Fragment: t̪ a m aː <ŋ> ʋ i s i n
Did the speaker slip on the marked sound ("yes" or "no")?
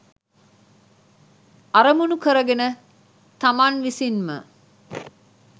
yes